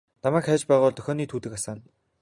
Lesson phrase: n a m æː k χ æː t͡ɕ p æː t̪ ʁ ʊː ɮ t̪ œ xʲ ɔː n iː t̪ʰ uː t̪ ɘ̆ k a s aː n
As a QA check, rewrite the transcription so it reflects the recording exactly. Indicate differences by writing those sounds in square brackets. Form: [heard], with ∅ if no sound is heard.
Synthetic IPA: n a m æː k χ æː t͡ɕ p æː [∅] ʁ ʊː ɮ t̪ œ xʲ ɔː n iː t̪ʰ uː t̪ ɘ̆ k a s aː n

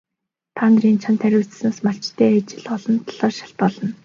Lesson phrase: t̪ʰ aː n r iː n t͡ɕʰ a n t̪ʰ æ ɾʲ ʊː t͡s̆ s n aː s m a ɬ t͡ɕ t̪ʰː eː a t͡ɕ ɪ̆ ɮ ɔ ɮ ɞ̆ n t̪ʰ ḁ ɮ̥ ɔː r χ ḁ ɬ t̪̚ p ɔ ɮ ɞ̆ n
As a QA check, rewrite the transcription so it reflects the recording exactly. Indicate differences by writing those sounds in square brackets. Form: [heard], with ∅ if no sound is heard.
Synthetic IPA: t̪ʰ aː n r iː n t͡ɕʰ a n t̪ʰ æ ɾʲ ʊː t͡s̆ s n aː s m a ɬ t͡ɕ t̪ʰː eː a t͡ɕ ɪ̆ ɮ ɔ ɮ ɞ̆ n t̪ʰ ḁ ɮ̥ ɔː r [ʃ] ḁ ɬ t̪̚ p ɔ ɮ ɞ̆ n

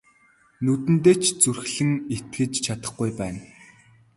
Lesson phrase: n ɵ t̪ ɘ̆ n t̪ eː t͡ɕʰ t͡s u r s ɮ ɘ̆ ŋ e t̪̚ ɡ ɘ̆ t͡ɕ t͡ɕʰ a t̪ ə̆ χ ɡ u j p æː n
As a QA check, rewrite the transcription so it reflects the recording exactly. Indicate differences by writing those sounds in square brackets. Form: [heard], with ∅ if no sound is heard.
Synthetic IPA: n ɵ t̪ ɘ̆ n t̪ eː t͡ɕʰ t͡s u r [x] ɮ ɘ̆ ŋ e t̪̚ ɡ ɘ̆ t͡ɕ t͡ɕʰ a t̪ ə̆ χ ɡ u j p æː n

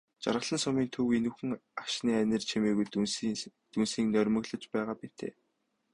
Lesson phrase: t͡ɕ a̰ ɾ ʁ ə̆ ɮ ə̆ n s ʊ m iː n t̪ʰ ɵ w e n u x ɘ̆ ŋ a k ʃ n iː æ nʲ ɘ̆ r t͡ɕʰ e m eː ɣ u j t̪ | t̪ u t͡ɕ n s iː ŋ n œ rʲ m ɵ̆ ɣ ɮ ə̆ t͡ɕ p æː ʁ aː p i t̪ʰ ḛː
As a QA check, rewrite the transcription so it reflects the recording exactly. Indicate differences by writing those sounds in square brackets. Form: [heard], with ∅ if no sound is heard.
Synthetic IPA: t͡ɕ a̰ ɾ ʁ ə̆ ɮ ə̆ n s ʊ m iː n t̪ʰ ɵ w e n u x ɘ̆ ŋ a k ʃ n iː æ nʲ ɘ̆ r t͡ɕʰ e m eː ɣ u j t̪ | t̪ u [∅] n s iː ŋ n œ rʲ m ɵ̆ ɣ ɮ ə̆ t͡ɕ p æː ʁ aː p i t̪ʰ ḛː

